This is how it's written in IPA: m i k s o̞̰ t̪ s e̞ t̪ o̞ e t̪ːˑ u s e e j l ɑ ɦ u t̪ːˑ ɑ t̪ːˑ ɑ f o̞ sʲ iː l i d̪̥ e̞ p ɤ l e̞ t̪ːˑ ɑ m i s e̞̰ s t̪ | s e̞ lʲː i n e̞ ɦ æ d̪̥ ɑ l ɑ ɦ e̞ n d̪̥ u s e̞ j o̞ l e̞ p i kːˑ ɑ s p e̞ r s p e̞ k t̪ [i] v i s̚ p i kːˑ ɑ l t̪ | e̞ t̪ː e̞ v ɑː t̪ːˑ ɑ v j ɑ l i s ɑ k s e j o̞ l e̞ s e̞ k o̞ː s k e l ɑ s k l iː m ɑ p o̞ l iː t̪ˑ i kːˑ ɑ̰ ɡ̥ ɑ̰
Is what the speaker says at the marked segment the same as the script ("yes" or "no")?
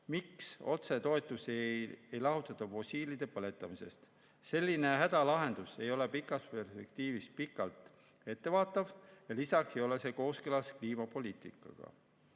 no